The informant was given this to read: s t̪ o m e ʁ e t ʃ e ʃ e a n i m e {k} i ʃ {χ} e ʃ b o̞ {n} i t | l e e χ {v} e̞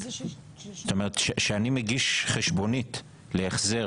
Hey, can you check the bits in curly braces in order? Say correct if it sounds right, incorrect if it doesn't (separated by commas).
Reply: incorrect, correct, correct, incorrect